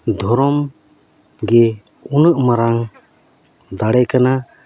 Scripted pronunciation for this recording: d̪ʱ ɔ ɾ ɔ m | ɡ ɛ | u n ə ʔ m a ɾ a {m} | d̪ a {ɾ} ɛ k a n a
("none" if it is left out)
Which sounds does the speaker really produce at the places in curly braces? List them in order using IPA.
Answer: ŋ, ɽ

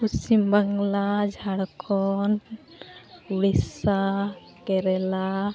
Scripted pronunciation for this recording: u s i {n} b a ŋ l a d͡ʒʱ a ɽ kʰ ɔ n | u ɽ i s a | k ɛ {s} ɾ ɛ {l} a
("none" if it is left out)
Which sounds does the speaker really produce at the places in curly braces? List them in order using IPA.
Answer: m, none, l

